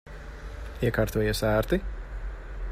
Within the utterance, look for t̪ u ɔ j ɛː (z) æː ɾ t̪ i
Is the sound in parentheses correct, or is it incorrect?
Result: incorrect